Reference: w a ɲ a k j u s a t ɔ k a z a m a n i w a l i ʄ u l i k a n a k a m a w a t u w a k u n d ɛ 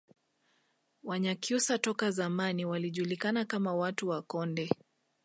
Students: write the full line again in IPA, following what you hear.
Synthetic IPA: w a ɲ a k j u s a t ɔ k a z a m a n i w a l i ʄ u l i k a n a k a m a w a t u w a k ɔ n d ɛ